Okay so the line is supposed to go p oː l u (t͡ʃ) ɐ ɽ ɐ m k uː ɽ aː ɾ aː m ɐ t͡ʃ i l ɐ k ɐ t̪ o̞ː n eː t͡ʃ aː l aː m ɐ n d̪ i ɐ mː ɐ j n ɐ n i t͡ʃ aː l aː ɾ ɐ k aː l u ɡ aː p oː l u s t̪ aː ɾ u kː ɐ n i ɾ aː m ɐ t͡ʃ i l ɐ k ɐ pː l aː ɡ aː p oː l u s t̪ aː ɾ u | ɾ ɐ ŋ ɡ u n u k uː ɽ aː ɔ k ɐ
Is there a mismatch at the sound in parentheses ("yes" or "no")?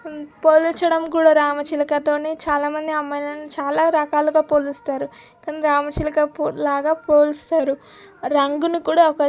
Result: no